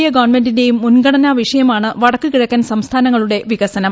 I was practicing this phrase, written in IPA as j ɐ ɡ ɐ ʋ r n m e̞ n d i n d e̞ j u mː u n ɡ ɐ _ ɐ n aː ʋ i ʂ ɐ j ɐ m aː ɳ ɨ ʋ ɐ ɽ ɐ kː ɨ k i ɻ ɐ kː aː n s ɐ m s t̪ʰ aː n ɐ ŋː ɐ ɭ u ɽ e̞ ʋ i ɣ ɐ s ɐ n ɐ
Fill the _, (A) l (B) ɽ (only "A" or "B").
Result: B